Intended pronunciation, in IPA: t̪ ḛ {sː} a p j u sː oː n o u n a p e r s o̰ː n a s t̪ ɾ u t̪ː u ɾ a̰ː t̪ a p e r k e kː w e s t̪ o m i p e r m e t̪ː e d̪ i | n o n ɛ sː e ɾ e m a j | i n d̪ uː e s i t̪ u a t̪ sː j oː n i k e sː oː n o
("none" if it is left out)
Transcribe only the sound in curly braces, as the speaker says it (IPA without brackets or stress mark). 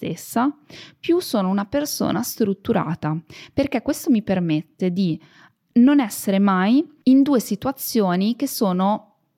sː